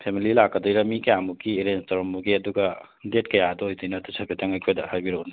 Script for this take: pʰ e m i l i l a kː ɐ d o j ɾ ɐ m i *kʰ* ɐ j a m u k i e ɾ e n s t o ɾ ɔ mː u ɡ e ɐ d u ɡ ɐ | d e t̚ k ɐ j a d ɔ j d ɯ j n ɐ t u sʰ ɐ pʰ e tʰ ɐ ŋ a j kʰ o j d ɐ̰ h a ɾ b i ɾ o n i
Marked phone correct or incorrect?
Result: incorrect